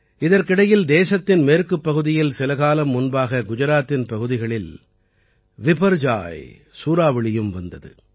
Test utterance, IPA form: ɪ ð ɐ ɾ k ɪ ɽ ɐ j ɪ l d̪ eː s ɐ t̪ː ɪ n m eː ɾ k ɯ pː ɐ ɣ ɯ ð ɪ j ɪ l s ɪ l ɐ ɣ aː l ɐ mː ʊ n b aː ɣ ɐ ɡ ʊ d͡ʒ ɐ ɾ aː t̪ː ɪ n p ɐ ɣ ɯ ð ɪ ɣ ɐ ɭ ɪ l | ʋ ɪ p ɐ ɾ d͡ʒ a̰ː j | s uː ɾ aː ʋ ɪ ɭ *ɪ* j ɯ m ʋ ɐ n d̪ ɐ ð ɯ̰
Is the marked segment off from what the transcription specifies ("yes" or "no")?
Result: no